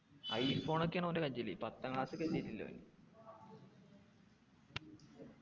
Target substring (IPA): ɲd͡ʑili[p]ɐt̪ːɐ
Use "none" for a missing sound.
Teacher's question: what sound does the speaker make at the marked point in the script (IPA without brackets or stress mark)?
p